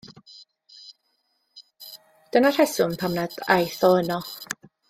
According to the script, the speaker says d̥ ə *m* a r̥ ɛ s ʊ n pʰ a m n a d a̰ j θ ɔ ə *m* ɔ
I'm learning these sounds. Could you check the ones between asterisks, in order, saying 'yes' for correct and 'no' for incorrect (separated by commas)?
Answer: no, no